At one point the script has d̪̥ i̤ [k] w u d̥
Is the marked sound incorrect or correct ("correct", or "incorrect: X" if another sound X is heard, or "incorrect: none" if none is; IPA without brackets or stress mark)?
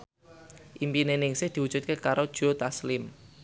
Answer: incorrect: none